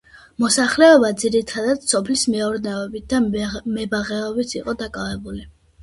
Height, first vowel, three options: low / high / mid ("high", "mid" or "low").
mid